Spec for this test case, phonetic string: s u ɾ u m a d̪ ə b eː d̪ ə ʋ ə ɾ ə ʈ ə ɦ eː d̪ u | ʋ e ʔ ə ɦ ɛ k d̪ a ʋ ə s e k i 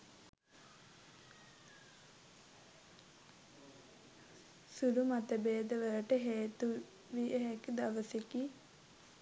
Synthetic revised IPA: s u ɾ u m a t̪ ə b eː d̪ ə ʋ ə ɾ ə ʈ ə ɦ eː t̪ u | ʋ i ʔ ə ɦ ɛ k d̪ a ʋ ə s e k i

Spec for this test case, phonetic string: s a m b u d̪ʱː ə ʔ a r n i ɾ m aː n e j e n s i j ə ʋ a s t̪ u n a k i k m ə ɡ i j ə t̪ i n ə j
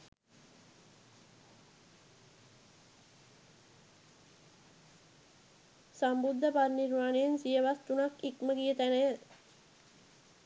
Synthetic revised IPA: s a m b u d̪ʱː ə p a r n i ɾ m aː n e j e n s i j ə ʋ a s t̪ u n a k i k m ə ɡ i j ə t̪ æ n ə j

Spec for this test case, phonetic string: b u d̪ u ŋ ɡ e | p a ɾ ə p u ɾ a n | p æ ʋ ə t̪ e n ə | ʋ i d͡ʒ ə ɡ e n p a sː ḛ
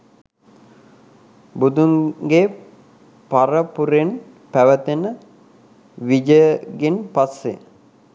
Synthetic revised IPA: b u d̪ u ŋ ɡ e | p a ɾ ə p u ɾ e n | p æ ʋ ə t̪ e n ə | ʋ i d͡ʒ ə ɡ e n p a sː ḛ

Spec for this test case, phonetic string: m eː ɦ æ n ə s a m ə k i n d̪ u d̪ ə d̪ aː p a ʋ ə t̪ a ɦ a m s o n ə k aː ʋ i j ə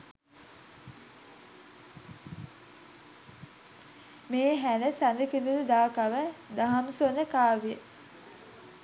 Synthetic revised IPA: m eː ɦ æ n ə s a n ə k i n d̪ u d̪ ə d̪ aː k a ʋ ə d̪ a ɦ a m s o n ə k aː ʋ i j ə

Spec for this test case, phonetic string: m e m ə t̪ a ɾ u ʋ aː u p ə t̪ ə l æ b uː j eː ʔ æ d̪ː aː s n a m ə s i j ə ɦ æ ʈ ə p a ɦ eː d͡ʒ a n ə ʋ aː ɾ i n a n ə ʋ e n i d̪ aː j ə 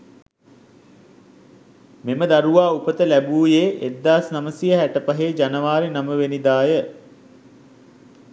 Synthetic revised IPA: m e m ə d̪ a ɾ u ʋ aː u p ə t̪ ə l æ b uː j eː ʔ e d̪ː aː s n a m ə s i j ə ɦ æ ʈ ə p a ɦ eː d͡ʒ a n ə ʋ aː ɾ i n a m ə ʋ e n i d̪ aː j ə

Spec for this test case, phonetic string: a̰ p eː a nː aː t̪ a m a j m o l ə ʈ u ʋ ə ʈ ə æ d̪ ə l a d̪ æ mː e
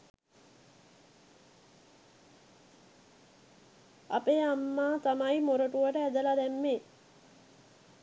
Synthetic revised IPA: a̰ p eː a mː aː t̪ a m a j m o ɾ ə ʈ u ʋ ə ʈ ə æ d̪ ə l a d̪ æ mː e

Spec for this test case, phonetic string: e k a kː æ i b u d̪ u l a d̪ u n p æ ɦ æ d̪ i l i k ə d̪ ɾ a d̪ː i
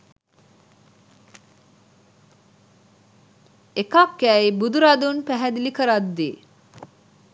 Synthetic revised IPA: e k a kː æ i b u d̪ u ɾ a d̪ u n p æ ɦ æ d̪ i l i k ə ɾ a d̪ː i

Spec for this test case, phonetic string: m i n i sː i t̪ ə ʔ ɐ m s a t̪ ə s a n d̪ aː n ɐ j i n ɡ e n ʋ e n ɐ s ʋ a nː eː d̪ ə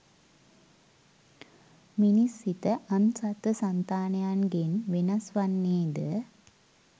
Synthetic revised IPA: m i n i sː i t̪ ə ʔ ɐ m s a t̪ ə s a n t̪ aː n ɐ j a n ɡ e n ʋ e n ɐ s ʋ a nː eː d̪ ə

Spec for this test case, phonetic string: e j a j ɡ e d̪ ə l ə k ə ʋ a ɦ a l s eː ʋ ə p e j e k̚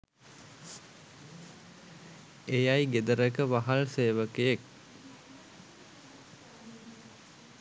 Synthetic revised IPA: e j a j ɡ e d̪ ə ɾ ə k ə ʋ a ɦ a l s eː ʋ ə k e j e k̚

